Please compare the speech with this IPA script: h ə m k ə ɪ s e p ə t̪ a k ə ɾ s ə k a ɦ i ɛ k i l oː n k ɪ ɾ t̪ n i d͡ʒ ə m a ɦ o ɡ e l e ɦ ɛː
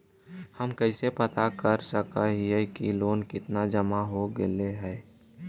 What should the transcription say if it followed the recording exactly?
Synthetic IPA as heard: h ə m k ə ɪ s e p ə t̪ a k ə ɾ s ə k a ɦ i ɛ k i l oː n k ɪ t̪ n a d͡ʒ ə m a ɦ o ɡ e l e ɦ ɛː